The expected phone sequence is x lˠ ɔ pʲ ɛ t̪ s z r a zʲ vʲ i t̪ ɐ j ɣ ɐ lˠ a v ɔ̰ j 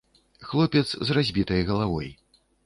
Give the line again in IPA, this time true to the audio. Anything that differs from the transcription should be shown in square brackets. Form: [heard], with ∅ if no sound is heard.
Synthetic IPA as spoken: x lˠ ɔ pʲ ɛ t̪ s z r a zʲ [bʲ] i t̪ ɐ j ɣ ɐ lˠ a v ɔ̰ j